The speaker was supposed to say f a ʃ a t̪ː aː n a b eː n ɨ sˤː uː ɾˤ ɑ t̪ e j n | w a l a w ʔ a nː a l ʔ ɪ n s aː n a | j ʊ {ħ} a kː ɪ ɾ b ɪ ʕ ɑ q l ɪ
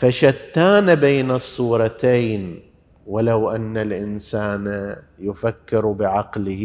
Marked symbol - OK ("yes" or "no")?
no